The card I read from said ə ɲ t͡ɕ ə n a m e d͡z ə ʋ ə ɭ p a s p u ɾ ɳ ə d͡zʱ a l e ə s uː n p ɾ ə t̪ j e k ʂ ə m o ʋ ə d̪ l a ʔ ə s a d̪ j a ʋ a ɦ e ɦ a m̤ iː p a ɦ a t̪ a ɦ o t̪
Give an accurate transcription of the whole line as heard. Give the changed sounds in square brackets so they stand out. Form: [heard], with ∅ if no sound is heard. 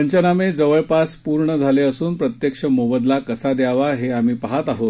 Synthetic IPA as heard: ə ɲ t͡ɕ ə n a m e d͡z ə ʋ ə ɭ p a s p u ɾ ɳ ə d͡zʱ a l e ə s uː n p ɾ ə t̪ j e k ʂ ə m o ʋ ə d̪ l a [k] ə s a d̪ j a ʋ a ɦ e [∅] a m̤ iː p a ɦ a t̪ a ɦ o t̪